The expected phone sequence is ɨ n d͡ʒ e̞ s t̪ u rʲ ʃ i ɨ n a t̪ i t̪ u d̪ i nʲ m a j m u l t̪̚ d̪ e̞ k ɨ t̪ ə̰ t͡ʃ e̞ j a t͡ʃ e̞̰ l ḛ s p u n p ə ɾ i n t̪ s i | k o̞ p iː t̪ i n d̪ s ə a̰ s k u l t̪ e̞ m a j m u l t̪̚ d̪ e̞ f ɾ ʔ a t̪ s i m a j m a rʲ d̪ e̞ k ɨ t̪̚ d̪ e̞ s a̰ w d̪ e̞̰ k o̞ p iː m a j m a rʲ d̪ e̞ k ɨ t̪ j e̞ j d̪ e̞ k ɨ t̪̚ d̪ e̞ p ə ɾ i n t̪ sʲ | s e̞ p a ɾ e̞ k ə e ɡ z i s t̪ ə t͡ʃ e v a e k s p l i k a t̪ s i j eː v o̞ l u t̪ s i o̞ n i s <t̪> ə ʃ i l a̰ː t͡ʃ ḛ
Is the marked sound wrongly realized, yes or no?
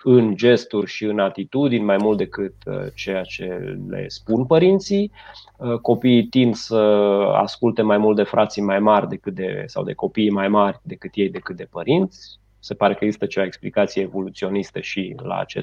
no